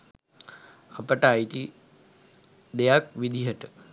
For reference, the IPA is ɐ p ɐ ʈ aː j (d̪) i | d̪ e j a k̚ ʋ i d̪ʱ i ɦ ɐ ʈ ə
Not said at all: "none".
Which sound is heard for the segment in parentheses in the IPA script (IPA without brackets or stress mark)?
t̪